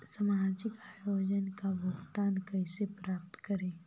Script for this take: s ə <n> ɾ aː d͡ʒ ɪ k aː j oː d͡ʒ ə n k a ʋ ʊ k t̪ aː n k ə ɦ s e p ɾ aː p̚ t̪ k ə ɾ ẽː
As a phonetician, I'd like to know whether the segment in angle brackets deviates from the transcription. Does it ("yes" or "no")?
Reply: yes